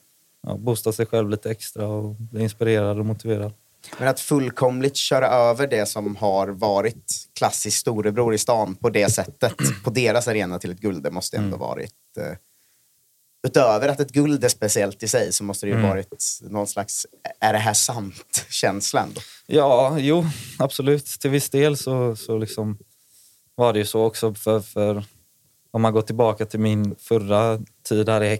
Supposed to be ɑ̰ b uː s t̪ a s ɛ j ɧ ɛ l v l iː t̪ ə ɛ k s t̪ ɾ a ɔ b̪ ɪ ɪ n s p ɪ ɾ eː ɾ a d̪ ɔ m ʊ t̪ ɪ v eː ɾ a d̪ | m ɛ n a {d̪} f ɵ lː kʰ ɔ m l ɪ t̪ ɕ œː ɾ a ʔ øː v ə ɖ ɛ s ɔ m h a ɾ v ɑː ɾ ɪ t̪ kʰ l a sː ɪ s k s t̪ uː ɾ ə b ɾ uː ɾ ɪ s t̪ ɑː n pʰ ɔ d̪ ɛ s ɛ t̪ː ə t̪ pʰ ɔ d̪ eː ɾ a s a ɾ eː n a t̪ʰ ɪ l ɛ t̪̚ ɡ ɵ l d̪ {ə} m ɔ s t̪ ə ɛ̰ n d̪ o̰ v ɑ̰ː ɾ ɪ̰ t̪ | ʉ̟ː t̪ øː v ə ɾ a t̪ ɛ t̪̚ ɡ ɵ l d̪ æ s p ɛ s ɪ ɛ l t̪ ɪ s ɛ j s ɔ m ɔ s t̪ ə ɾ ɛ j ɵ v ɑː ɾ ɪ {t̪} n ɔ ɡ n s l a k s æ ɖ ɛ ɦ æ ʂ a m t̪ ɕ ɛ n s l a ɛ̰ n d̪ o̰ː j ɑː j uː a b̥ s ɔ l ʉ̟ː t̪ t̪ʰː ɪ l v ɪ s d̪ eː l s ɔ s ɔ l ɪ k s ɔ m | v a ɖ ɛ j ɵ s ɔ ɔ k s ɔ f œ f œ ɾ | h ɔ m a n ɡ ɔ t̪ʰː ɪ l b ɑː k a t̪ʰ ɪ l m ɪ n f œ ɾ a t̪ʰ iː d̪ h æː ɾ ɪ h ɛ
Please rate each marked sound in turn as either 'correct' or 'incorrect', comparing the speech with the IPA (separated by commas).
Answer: incorrect, correct, correct